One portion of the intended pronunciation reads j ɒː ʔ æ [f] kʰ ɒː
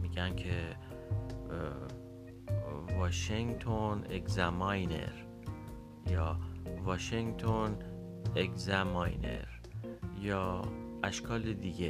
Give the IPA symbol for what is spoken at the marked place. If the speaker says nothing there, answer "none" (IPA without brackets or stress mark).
ʃ